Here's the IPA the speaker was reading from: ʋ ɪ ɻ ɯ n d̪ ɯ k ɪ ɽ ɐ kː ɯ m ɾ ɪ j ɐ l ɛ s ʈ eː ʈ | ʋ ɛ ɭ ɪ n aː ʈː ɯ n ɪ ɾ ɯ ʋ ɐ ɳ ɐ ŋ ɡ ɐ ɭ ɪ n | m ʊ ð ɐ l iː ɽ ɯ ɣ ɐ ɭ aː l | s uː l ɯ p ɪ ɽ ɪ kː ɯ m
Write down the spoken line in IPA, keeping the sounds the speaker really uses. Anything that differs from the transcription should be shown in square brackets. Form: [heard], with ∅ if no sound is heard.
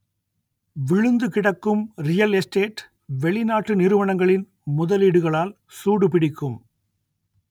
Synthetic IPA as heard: ʋ ɪ ɻ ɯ n d̪ ɯ k ɪ ɽ ɐ kː ɯ m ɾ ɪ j ɐ l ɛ s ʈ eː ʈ | ʋ ɛ ɭ ɪ n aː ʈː ɯ n ɪ ɾ ɯ ʋ ɐ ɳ ɐ ŋ ɡ ɐ ɭ ɪ n | m ʊ ð ɐ l iː ɽ ɯ ɣ ɐ ɭ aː l | s uː [ɽ] ɯ p ɪ ɽ ɪ kː ɯ m